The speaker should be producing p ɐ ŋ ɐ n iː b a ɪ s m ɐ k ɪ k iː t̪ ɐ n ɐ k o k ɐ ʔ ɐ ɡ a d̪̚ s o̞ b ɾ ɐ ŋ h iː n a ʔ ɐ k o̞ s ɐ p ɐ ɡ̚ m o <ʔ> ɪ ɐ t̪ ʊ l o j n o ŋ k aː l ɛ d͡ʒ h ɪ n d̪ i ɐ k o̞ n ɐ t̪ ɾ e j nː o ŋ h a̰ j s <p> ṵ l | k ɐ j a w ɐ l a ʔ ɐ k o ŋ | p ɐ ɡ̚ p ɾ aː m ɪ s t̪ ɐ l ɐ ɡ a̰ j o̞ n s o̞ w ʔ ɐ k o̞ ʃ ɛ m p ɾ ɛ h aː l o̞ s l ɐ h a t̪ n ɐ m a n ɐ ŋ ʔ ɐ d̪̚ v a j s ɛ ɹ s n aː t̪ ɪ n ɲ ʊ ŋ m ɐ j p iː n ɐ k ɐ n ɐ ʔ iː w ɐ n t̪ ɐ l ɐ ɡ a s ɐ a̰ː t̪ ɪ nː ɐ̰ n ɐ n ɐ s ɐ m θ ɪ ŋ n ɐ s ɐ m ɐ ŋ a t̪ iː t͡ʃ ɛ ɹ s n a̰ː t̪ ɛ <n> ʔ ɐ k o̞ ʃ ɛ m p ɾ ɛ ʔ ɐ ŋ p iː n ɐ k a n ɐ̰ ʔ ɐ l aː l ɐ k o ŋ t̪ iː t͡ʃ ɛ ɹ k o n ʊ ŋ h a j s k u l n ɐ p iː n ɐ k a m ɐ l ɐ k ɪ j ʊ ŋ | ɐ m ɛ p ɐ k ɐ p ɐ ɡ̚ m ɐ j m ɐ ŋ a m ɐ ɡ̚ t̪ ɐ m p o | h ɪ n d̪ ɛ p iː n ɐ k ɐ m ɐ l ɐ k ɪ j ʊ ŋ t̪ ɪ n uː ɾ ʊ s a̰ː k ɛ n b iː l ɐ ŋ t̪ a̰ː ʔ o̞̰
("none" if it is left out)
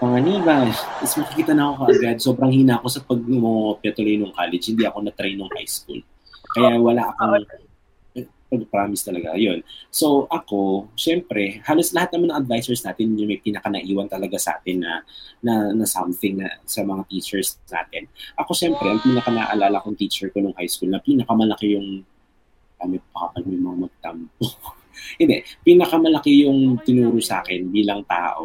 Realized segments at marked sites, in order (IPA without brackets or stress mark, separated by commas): p, k, n